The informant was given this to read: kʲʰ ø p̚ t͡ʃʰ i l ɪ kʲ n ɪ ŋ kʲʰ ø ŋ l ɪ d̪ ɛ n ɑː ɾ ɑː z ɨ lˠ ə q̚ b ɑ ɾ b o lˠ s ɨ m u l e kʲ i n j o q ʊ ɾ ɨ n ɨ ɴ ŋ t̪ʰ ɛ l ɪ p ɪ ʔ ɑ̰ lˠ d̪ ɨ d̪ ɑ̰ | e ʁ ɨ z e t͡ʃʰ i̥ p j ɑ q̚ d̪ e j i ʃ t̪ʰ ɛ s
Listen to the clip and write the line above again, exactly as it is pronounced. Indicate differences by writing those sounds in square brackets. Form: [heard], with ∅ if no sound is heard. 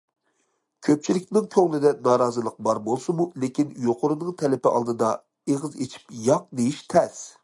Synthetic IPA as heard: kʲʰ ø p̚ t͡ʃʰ i l ɪ kʲ n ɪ ŋ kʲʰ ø ŋ l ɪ d̪ ɛ n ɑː ɾ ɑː z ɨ lˠ ə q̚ b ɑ ɾ b o lˠ s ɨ m u l e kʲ i n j o q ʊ ɾ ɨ n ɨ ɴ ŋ t̪ʰ ɛ l ɪ p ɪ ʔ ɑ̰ lˠ d̪ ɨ d̪ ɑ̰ | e ʁ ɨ z e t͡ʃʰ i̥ p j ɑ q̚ d̪ e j i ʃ t̪ʰ ɛ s